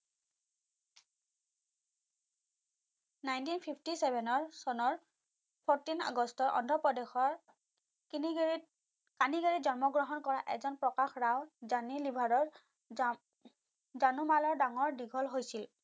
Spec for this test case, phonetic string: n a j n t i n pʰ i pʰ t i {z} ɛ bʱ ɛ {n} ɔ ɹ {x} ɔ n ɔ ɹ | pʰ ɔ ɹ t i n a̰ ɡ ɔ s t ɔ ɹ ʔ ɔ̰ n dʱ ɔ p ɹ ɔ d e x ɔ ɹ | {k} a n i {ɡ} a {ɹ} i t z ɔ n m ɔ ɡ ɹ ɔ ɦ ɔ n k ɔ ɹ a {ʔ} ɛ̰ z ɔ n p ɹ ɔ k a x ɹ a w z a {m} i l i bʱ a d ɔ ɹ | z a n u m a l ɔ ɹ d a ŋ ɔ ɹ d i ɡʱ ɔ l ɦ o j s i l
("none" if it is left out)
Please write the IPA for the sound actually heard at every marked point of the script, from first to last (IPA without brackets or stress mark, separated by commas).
s, n, s, k, ɡ, ɹ, ʔ, n